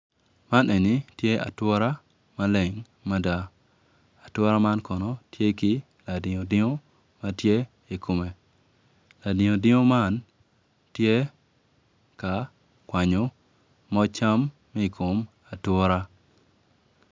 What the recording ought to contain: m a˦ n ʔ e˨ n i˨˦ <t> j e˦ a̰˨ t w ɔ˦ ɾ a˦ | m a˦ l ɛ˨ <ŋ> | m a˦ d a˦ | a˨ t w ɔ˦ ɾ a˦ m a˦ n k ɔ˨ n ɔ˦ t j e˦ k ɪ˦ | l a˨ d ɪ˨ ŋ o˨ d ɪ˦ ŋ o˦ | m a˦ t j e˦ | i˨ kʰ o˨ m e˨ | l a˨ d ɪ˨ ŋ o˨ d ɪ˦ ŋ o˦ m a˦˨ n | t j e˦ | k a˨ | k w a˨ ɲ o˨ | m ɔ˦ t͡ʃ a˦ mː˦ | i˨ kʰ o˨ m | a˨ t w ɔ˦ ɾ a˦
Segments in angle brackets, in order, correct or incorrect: correct, correct

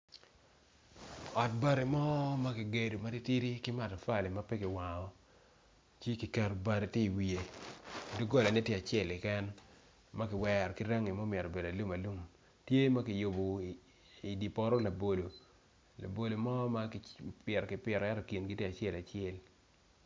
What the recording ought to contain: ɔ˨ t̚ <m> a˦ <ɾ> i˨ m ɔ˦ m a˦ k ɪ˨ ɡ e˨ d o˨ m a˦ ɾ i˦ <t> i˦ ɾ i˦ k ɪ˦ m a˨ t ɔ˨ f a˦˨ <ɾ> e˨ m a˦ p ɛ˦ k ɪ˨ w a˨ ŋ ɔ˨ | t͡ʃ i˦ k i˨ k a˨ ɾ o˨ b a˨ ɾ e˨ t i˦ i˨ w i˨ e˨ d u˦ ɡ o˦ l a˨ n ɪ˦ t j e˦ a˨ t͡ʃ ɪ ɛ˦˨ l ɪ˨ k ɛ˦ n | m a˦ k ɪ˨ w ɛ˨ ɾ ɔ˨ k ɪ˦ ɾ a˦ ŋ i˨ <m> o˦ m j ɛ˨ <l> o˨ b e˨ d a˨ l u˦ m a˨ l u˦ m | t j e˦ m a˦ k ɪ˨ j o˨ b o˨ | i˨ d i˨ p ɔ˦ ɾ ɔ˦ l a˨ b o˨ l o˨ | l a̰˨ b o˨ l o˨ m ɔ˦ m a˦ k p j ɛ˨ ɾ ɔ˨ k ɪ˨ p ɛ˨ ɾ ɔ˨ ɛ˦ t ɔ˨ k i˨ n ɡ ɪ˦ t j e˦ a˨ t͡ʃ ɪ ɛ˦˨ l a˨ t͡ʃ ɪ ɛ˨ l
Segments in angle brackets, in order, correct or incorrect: incorrect: b, correct, correct, incorrect: l, correct, incorrect: ɾ

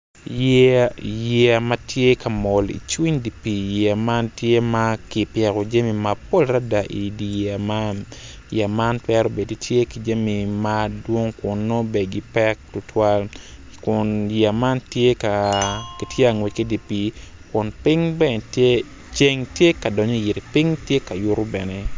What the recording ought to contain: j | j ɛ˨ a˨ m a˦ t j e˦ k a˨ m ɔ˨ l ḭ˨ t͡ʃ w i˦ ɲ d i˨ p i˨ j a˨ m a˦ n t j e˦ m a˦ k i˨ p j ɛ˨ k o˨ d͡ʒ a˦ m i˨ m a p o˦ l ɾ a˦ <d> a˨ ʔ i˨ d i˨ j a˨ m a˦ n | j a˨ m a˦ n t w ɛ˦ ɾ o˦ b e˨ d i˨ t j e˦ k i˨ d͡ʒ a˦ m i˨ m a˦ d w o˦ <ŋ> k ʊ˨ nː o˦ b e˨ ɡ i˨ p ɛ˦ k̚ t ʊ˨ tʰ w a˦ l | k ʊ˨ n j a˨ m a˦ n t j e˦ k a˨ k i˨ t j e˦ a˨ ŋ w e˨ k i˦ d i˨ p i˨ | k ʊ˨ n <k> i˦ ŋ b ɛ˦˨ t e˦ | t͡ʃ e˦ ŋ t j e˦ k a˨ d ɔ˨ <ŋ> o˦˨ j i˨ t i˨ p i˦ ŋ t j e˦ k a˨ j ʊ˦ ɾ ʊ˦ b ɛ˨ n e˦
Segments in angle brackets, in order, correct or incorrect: correct, correct, incorrect: p, incorrect: ɲ

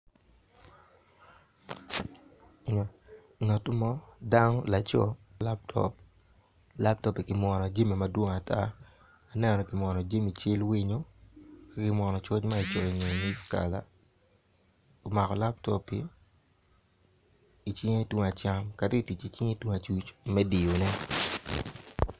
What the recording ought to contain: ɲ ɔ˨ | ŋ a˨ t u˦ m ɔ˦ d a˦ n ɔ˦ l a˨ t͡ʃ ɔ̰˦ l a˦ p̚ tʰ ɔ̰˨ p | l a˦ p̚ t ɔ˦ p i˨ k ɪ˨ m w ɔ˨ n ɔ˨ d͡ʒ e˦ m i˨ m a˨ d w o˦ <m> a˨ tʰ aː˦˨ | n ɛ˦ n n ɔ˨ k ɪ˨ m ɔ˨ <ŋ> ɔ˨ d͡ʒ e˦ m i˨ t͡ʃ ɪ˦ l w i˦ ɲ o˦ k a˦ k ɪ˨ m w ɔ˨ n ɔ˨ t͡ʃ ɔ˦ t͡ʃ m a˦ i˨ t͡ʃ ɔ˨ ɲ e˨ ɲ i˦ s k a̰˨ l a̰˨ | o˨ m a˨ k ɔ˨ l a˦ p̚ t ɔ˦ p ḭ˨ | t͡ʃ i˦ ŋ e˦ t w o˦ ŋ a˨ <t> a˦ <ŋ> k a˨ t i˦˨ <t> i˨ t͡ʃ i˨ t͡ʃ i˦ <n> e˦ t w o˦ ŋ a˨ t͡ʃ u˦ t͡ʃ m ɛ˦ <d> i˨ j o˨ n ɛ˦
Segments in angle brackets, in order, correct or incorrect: incorrect: ŋ, incorrect: n, incorrect: t͡ʃ, incorrect: m, correct, incorrect: ŋ, correct

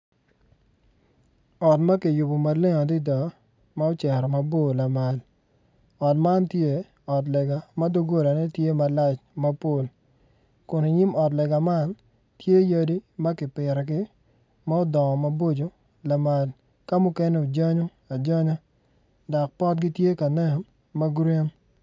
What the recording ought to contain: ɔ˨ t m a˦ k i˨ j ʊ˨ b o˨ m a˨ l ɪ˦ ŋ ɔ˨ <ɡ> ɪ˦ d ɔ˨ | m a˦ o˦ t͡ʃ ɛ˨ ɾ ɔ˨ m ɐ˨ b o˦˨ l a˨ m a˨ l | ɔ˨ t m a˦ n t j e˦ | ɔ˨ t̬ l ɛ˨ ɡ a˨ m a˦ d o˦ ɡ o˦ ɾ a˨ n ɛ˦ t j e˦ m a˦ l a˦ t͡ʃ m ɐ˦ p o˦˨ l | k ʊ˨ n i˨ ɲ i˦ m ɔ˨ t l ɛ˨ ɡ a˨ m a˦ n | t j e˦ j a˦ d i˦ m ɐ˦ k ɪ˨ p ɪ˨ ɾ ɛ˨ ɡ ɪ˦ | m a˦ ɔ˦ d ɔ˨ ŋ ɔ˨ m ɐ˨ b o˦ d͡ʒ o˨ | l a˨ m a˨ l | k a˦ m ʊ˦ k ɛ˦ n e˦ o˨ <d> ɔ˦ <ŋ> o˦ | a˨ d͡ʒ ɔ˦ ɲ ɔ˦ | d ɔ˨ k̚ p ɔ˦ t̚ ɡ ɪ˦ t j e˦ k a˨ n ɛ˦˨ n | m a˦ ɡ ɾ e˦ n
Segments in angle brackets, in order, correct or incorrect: incorrect: d, incorrect: d͡ʒ, incorrect: ɲ

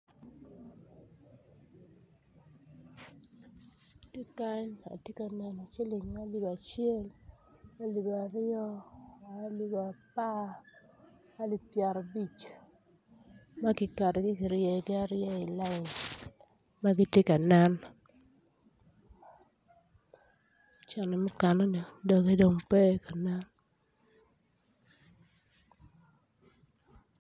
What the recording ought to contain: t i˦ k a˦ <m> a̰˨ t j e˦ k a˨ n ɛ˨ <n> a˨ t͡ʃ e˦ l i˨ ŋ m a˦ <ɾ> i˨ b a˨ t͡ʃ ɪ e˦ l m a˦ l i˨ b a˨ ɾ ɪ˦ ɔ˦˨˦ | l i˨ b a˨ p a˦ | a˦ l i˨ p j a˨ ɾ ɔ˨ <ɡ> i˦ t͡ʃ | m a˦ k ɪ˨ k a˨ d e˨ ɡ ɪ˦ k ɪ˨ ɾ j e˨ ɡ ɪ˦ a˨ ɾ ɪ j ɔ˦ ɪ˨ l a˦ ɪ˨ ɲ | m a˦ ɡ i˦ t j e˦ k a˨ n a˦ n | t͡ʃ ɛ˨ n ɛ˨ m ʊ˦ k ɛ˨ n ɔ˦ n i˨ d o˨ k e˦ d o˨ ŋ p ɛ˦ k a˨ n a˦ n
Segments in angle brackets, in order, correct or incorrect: incorrect: ɲ, correct, incorrect: l, incorrect: b

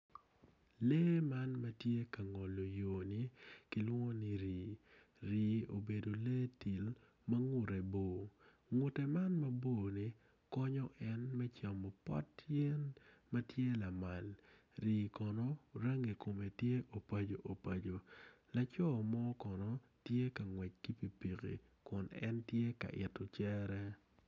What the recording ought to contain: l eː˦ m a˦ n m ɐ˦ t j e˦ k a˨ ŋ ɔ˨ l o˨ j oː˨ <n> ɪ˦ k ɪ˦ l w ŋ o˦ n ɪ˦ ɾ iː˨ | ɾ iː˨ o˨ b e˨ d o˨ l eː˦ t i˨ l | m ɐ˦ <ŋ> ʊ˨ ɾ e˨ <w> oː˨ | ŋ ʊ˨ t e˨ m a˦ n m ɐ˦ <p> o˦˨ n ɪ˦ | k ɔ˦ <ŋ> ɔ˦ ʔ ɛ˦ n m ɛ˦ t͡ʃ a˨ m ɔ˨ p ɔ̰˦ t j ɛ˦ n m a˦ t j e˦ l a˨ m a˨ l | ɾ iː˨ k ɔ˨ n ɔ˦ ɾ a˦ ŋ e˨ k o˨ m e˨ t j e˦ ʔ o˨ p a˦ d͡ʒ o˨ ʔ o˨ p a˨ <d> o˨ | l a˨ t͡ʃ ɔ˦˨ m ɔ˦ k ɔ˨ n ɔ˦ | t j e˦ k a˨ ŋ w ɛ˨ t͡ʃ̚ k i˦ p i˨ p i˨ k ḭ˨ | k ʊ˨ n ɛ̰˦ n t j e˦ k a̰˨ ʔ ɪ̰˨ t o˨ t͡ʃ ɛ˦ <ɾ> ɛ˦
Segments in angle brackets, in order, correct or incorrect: correct, correct, incorrect: b, incorrect: b, incorrect: ɲ, incorrect: d͡ʒ, correct

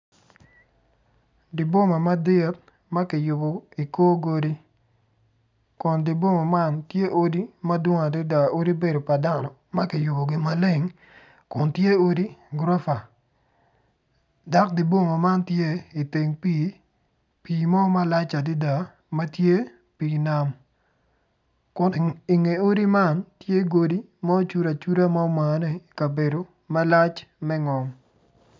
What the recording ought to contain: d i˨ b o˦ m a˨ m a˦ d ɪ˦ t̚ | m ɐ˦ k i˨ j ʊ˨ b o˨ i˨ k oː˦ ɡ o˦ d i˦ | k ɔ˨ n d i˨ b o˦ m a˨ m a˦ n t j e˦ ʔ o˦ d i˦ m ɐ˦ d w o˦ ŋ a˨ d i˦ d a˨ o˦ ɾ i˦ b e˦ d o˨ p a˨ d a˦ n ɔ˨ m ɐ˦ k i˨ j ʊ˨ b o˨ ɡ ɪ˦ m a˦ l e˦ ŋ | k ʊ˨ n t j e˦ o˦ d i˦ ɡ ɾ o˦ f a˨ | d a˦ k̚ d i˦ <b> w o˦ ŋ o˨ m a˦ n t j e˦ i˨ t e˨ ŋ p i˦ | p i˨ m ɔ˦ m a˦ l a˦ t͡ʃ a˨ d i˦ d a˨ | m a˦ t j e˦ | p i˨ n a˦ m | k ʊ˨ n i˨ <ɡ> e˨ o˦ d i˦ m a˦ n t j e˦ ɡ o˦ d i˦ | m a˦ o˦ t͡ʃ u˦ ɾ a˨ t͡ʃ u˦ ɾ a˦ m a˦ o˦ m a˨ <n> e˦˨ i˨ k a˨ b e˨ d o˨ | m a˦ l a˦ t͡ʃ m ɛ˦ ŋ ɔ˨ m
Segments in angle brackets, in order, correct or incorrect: correct, incorrect: ŋ, correct

